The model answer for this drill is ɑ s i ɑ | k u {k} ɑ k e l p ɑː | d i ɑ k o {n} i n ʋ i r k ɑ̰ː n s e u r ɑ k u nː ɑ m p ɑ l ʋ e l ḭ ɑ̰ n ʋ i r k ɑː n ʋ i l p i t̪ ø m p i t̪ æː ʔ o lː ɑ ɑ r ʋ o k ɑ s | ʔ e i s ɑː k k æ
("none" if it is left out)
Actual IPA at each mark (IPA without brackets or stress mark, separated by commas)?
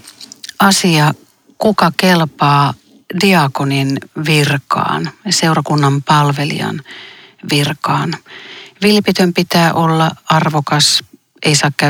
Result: k, n